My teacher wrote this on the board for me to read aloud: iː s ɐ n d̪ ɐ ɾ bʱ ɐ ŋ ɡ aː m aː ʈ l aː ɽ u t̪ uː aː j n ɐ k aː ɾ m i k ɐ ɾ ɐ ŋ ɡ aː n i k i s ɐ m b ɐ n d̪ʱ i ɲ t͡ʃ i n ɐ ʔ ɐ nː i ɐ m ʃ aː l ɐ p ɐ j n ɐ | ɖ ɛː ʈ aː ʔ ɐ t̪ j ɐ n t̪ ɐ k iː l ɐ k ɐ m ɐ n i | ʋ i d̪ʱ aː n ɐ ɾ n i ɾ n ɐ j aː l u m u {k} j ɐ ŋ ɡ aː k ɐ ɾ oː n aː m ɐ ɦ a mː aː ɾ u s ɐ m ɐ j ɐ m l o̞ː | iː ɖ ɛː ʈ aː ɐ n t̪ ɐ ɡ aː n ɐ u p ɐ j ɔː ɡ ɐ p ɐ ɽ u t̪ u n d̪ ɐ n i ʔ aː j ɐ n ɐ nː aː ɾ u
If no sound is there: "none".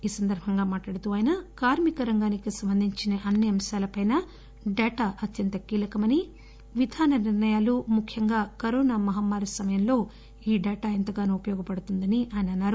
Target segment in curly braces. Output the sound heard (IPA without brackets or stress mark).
kʰ